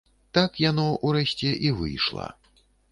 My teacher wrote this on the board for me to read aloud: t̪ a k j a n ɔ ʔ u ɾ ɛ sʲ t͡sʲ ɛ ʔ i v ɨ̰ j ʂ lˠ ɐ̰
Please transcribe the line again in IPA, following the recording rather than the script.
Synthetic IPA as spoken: t̪ a k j a n ɔ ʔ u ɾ ɛ sʲ t͡sʲ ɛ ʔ i v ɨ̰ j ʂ lˠ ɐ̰